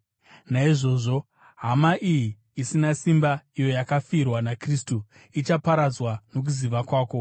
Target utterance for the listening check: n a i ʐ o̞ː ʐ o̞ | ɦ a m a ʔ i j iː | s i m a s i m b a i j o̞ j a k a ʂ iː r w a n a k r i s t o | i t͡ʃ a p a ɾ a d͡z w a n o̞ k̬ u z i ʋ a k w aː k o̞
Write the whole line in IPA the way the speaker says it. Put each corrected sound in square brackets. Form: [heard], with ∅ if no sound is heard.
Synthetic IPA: n a i ʐ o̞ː ʐ o̞ | ɦ a m a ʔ i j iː | s i [n] a s i m b a i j o̞ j a k a [f] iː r w a n a k r i s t [u] | i t͡ʃ a p a ɾ a d͡z w a n o̞ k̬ u z i ʋ a k w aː k o̞

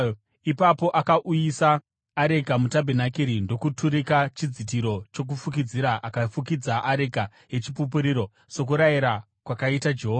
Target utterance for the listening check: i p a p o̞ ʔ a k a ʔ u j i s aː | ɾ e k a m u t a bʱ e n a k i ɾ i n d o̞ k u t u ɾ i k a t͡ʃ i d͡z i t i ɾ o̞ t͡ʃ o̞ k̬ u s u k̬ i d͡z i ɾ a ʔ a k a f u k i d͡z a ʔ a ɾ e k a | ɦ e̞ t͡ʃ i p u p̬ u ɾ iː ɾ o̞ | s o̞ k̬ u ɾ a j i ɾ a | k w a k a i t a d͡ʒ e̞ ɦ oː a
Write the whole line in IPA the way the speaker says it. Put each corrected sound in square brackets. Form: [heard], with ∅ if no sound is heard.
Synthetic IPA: i p a p o̞ ʔ a k a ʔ u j i s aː | ɾ e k a m u t a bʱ e n a k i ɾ i n d o̞ k u t u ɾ i k a t͡ʃ i d͡z i t i ɾ o̞ t͡ʃ o̞ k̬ u [f] u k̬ i d͡z i ɾ a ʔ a k a f u k i d͡z a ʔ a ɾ e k a | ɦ e̞ t͡ʃ i p u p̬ u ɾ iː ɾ o̞ | s o̞ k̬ u ɾ a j i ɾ a | k w a k a i t a d͡ʒ e̞ ɦ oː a

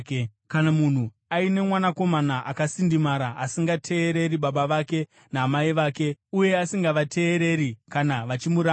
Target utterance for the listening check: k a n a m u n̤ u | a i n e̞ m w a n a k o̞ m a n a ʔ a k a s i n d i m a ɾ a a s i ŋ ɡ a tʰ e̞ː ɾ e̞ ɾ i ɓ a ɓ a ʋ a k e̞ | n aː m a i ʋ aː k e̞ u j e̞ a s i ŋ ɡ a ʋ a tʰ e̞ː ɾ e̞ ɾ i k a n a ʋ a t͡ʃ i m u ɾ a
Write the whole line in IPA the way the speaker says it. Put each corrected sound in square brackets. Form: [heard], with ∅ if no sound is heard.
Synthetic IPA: k a n a m u n̤ u | a i n e̞ m w a n a k o̞ m a n a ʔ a k a s i n d i m a ɾ a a s i ŋ ɡ a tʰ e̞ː ɾ e̞ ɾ i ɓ a ɓ a ʋ a k e̞ | n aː m a i ʋ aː k e̞ u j e̞ a s i ŋ ɡ a ʋ a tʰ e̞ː ɾ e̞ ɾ i k a n a ʋ a t͡ʃ i m u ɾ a

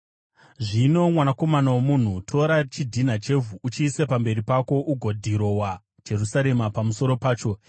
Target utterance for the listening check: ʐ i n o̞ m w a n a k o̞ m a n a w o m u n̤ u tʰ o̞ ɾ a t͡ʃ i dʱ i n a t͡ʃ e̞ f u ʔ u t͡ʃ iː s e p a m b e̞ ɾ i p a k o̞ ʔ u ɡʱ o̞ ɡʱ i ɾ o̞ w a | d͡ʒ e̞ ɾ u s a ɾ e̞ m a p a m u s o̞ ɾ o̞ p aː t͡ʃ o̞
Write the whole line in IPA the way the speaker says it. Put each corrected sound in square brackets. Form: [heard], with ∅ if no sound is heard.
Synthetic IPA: ʐ i n o̞ m w a n a k o̞ m a n a w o m u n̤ u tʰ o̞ ɾ a t͡ʃ i dʱ i n a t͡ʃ e̞ [v] u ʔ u t͡ʃ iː s e p a m b e̞ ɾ i p a k o̞ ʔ u ɡʱ o̞ [dʱ] i ɾ o̞ w a | d͡ʒ e̞ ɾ u s a ɾ e̞ m a p a m u s o̞ ɾ o̞ p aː t͡ʃ o̞

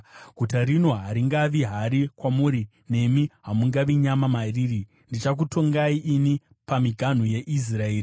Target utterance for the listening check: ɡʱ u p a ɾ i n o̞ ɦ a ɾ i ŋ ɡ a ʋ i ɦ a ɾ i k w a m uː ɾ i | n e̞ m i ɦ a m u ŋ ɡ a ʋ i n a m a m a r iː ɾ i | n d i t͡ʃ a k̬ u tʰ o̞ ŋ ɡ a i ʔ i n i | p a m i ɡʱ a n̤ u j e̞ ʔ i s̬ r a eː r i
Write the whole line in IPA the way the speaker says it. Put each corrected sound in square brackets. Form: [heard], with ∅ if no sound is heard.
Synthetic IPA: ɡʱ u [t] a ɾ i n o̞ ɦ a ɾ i ŋ ɡ a ʋ i ɦ a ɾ i k w a m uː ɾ i | n e̞ m i ɦ a m u ŋ ɡ a ʋ i [ɲ] a m a m a r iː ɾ i | n d i t͡ʃ a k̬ u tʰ o̞ ŋ ɡ a i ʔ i n i | p a m i ɡʱ a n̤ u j e̞ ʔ i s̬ r a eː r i

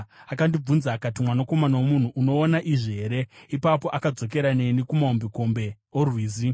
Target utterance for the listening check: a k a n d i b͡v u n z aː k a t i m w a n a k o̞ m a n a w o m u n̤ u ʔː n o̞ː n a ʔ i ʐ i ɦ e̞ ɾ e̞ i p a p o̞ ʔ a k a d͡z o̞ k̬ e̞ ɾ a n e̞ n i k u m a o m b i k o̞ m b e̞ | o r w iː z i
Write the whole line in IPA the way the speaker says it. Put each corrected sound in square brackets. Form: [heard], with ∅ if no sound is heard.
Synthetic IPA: a k a n d i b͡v u n z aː k a t i m w a n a k o̞ m a n a w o m u n̤ u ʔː n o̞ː n a ʔ i ʐ i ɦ e̞ ɾ e̞ i p a p o̞ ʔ a k a d͡z o̞ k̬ e̞ ɾ a n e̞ n i k u m a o m b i k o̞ m b e̞ | o r w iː z i

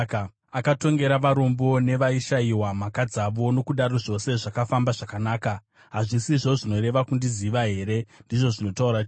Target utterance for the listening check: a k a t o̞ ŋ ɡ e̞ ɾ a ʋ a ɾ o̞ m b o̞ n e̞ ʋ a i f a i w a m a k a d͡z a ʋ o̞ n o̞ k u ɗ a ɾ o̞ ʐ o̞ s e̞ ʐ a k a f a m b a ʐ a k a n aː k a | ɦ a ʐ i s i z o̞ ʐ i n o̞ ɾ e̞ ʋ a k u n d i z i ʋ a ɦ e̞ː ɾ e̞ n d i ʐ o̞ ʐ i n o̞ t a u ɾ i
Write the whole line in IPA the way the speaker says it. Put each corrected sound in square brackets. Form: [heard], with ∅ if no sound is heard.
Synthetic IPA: a k a t o̞ ŋ ɡ e̞ ɾ a ʋ a ɾ o̞ m b o̞ n e̞ ʋ a i [ʃ] a i w a m a k a d͡z a ʋ o̞ n o̞ k u ɗ a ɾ o̞ ʐ o̞ s e̞ ʐ a k a f a m b a ʐ a k a n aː k a | ɦ a ʐ i s i [ʐ] o̞ ʐ i n o̞ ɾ e̞ ʋ a k u n d i z i ʋ a ɦ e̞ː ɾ e̞ n d i ʐ o̞ ʐ i n o̞ t a u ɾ [a]

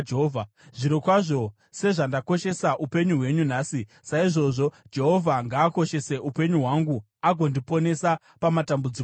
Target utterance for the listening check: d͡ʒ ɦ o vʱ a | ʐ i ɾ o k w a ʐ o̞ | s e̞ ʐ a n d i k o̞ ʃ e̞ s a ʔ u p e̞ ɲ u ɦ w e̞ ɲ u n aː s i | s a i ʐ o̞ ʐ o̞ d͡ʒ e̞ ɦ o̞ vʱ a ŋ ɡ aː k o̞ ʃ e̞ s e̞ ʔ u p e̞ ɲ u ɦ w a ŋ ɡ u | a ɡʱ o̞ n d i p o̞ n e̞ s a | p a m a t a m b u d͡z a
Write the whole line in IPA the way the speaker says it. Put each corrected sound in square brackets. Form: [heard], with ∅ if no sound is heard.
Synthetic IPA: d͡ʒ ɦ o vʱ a | ʐ i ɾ o k w a ʐ o̞ | s e̞ ʐ a n d [a] k o̞ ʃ e̞ s a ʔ u p e̞ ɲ u ɦ w e̞ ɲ u n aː s i | s a i ʐ o̞ ʐ o̞ d͡ʒ e̞ ɦ o̞ vʱ a ŋ ɡ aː k o̞ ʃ e̞ s e̞ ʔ u p e̞ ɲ u ɦ w a ŋ ɡ u | a ɡʱ o̞ n d i p o̞ n e̞ s a | p a m a t a m b u d͡z [i]

